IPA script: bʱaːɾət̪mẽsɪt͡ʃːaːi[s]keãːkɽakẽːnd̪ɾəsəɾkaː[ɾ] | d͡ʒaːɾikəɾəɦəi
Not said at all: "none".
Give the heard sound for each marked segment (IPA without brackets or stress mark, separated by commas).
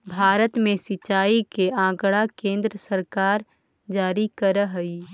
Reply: none, ɾ